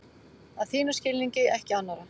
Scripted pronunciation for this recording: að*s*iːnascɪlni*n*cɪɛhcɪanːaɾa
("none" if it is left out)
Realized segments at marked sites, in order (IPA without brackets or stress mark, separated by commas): θ, ɲ